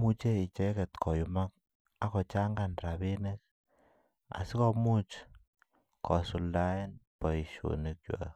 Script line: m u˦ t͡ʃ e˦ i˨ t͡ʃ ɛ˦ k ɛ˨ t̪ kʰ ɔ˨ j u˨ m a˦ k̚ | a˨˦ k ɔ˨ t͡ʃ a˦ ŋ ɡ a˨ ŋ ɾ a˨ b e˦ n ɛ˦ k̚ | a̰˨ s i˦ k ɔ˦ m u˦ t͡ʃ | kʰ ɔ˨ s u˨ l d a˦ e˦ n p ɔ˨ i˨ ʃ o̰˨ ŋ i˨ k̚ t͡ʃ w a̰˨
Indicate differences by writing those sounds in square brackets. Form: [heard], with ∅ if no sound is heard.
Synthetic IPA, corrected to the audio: m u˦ t͡ʃ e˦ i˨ t͡ʃ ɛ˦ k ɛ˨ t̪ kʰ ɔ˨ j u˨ m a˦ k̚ | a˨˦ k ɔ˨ t͡ʃ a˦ ŋ ɡ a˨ [n] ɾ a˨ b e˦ n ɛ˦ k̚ | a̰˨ s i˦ k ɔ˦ m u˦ t͡ʃ | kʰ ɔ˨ s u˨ l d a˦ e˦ n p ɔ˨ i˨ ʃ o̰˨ [n] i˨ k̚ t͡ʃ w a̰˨